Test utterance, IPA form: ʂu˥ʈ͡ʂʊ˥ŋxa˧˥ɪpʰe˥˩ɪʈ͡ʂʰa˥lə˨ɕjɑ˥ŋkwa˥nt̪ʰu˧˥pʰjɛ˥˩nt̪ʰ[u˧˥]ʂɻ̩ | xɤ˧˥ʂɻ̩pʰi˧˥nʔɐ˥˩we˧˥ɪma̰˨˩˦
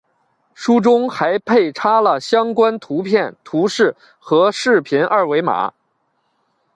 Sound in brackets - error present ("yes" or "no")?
no